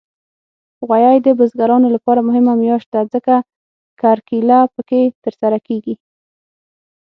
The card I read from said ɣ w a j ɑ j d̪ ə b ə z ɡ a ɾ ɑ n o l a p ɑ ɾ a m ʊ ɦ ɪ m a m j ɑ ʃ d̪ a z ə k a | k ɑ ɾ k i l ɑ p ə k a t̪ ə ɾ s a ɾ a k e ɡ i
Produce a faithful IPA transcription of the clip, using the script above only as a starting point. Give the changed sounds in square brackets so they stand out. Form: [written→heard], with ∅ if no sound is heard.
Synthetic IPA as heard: ɣ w a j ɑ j d̪ ə b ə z ɡ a ɾ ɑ n o l a p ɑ ɾ a m ʊ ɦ ɪ m a m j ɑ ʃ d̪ a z ə k a | k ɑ ɾ k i l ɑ p ə k [a→e] t̪ ə ɾ s a ɾ a k e ɡ i